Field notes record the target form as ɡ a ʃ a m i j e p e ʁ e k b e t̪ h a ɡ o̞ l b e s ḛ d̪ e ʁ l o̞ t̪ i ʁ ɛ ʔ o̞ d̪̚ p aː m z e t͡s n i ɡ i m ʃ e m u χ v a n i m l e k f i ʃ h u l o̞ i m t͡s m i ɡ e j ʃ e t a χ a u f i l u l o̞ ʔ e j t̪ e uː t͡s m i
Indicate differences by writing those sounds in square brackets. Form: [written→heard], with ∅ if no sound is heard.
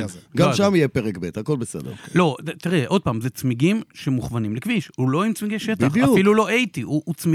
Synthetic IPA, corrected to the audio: ɡ a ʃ a m i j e p e ʁ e k b e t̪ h a [ɡ→k] o̞ l b e s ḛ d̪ e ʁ l o̞ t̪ i ʁ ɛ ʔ o̞ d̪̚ p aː m z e t͡s [n→m] i ɡ i m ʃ e m u χ v a n i m l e k [f→v] i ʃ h u l o̞ i m t͡s m i ɡ e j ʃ e t a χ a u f i l u l o̞ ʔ e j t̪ [e→i] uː t͡s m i